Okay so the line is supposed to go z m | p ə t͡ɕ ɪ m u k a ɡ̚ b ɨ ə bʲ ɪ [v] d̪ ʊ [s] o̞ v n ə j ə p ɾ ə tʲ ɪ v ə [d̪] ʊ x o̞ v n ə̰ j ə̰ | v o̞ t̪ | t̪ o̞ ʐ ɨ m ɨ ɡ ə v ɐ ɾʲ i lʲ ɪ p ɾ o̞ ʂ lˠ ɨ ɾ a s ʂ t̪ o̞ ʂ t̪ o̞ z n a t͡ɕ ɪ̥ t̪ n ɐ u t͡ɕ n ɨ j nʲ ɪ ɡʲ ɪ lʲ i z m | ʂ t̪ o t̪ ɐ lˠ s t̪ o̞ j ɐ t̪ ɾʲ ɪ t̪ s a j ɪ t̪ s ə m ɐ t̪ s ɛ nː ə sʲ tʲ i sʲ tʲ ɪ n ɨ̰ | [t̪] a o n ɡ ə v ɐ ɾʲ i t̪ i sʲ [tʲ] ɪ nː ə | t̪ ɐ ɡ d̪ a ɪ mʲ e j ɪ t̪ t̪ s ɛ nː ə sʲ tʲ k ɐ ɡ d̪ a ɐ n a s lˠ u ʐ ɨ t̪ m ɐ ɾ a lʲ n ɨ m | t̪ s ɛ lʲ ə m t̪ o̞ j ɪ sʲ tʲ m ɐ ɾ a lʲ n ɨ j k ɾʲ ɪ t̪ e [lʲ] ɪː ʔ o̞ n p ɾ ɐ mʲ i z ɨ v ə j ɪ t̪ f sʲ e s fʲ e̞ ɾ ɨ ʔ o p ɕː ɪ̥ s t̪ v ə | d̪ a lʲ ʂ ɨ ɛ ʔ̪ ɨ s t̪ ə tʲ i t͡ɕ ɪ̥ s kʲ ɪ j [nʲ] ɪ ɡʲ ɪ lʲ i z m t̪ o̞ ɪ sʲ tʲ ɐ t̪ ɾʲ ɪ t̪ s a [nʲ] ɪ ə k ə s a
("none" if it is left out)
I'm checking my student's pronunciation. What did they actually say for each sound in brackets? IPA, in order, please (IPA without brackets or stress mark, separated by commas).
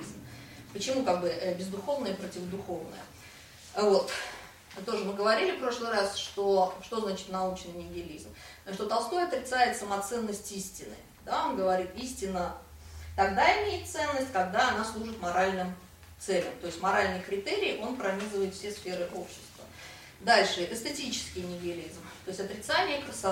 z, x, d̪, d̪, tʲ, ɾʲ, nʲ, nʲ